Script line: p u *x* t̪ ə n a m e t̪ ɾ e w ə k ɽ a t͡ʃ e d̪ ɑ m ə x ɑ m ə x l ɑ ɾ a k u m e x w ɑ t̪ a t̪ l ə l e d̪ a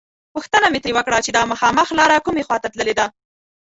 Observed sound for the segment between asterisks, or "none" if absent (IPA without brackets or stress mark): x